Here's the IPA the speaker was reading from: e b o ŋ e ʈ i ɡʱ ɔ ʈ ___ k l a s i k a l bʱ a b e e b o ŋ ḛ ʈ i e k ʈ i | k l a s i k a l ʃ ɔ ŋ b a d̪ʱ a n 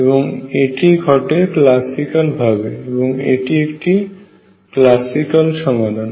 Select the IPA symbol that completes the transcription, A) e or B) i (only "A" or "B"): A